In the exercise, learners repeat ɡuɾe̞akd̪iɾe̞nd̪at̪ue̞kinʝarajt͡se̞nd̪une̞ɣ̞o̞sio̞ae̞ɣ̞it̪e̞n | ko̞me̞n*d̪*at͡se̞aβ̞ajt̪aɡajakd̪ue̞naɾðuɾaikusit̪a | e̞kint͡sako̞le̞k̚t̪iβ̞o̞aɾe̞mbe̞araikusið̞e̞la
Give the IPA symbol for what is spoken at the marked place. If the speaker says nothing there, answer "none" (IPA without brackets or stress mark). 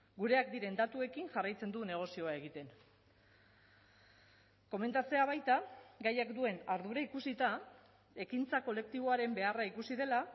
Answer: t̪